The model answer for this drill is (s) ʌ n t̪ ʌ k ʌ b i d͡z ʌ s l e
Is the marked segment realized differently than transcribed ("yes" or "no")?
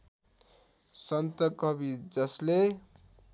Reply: no